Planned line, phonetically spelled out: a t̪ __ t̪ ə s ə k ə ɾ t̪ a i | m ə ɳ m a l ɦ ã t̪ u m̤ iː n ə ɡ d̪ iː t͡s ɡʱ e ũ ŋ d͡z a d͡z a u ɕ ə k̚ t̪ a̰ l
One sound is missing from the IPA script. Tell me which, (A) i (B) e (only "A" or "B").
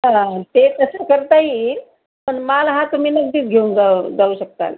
B